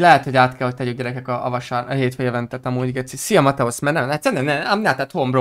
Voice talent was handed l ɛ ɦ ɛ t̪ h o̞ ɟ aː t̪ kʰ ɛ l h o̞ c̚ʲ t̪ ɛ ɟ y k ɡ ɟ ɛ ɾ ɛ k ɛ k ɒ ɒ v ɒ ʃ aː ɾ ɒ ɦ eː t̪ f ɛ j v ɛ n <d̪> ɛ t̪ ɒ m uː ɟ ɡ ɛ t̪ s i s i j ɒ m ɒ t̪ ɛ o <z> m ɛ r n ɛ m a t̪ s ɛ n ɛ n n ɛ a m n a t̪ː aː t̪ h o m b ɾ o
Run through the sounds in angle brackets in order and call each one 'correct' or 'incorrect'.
incorrect: t̪, incorrect: s

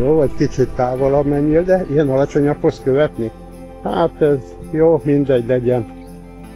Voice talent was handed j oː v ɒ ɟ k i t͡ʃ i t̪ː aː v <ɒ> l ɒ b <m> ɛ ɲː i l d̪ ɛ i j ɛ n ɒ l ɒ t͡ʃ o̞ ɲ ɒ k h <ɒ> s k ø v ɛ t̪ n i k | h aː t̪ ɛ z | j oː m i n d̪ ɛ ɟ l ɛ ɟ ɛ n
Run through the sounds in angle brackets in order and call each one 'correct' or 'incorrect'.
incorrect: o, correct, incorrect: o

